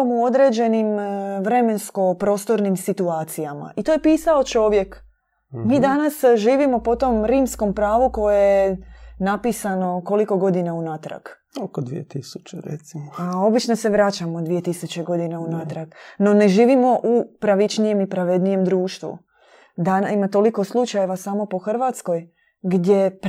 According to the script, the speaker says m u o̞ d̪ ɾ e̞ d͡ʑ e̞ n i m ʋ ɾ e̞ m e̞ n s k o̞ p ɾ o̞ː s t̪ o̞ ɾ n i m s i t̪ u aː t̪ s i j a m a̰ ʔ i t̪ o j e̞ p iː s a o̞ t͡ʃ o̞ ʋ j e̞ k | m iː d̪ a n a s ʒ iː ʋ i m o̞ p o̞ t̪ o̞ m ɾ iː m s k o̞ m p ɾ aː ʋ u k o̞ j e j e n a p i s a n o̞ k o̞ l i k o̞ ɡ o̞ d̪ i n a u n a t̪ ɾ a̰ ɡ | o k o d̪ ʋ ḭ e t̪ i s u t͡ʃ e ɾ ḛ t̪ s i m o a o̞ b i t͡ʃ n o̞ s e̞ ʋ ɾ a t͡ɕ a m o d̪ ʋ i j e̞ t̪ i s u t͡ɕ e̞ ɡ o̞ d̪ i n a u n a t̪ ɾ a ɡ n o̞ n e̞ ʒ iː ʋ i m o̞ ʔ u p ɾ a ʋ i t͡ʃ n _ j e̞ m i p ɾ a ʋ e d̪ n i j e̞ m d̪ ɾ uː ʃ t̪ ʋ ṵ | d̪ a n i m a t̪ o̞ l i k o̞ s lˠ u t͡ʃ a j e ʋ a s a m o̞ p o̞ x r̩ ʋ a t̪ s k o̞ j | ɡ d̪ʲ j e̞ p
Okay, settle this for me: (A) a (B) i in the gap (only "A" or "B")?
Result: B